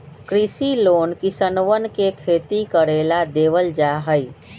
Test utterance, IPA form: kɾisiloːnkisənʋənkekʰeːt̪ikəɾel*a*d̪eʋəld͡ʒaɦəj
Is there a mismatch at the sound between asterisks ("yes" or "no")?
no